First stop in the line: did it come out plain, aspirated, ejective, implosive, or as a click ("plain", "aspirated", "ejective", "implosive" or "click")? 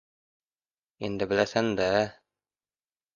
plain